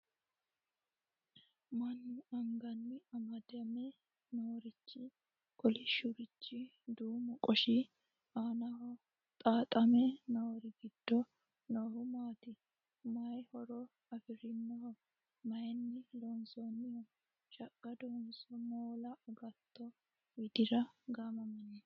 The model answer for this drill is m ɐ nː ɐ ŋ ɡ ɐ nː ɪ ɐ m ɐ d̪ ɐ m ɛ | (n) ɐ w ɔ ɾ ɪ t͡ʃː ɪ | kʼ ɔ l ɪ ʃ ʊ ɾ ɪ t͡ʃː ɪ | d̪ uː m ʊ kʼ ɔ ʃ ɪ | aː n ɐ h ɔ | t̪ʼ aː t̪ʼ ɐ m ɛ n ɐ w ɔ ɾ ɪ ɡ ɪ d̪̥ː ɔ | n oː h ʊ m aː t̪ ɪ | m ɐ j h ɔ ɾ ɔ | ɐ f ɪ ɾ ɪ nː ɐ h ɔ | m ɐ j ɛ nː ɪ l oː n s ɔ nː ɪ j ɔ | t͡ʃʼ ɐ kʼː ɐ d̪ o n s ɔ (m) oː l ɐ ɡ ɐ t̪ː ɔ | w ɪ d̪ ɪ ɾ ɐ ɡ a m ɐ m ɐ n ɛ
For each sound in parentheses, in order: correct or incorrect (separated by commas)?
correct, correct